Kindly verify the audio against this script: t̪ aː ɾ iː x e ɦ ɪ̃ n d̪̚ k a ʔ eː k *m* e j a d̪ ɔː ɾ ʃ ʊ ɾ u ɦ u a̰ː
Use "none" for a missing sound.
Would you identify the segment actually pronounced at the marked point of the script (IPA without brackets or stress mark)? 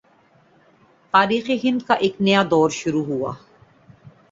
n